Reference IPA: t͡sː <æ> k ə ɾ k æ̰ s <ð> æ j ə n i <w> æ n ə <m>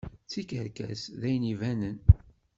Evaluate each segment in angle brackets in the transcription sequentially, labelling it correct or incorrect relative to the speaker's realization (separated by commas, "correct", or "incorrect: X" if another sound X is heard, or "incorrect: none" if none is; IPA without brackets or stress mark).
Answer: incorrect: i, correct, incorrect: v, incorrect: n